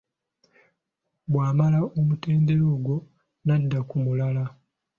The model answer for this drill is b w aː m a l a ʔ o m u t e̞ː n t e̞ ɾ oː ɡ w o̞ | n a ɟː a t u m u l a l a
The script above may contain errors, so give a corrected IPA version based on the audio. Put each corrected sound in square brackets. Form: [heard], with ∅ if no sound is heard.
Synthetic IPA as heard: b w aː m a l a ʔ o m u t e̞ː n [d] e̞ ɾ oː ɡ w o̞ | n a [dː] a [k] u m u l a l a